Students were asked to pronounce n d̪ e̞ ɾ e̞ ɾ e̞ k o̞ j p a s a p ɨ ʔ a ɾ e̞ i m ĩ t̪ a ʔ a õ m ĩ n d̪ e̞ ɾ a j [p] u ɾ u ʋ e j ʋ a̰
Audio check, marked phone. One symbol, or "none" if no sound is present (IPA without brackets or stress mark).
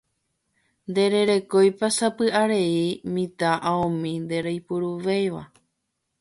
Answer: p